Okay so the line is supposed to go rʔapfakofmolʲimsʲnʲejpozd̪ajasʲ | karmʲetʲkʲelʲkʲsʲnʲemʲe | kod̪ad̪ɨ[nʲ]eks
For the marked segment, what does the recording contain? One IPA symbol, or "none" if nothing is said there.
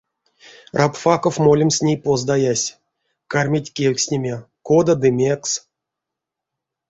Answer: mʲ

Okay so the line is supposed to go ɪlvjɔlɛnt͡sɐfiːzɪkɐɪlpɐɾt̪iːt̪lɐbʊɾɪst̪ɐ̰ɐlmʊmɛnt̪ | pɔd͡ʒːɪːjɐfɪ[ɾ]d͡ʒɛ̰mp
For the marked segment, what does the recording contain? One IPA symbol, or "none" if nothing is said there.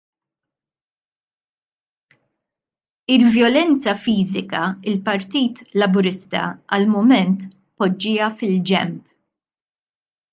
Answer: l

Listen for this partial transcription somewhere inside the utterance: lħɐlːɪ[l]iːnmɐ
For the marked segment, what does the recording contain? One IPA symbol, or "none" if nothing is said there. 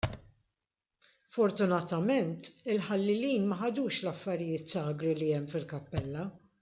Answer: l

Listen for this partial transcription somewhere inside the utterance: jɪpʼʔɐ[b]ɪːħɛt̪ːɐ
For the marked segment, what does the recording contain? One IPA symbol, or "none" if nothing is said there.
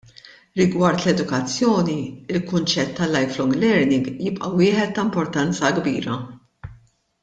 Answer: w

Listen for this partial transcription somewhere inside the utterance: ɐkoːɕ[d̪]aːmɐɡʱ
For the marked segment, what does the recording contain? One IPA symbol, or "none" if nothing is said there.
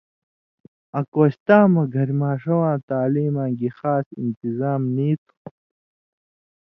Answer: t̪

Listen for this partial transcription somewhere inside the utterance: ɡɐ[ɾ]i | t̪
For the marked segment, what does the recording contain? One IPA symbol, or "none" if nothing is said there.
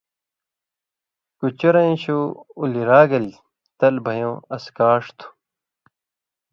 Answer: l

